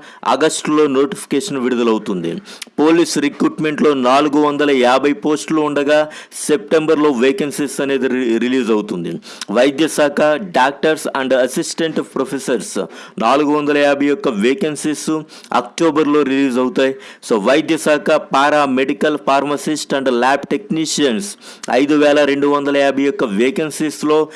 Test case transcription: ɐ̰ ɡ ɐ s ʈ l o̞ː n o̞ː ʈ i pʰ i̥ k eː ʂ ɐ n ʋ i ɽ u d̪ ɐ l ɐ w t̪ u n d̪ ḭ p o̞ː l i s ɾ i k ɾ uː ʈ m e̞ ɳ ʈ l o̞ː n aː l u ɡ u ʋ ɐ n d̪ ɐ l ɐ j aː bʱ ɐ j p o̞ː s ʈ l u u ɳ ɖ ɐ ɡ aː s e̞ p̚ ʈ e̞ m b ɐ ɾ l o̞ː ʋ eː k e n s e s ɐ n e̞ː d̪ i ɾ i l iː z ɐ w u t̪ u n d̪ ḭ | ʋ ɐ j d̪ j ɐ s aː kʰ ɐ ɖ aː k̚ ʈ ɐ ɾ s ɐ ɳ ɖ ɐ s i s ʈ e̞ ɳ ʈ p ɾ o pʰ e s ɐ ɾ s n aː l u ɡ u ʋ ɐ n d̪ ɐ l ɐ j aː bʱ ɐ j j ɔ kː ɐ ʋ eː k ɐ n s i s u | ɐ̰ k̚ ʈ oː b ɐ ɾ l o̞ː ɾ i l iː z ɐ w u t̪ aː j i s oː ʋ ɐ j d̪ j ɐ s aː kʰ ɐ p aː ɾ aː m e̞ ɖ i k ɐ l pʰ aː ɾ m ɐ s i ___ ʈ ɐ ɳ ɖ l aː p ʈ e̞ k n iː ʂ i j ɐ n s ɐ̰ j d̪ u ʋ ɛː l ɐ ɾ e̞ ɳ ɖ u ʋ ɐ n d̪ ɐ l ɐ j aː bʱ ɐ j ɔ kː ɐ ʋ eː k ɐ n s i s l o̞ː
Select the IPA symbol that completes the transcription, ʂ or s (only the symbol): s